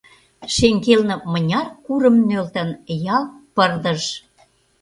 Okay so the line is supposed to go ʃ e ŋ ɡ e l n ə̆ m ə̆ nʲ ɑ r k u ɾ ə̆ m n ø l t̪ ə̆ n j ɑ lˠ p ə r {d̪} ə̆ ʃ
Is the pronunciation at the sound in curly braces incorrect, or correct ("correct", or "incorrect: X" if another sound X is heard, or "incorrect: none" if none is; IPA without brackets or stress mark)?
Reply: correct